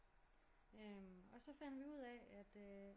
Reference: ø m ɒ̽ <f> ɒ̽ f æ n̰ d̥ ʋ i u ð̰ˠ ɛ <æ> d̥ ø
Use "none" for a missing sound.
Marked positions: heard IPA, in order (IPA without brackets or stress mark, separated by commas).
s, æ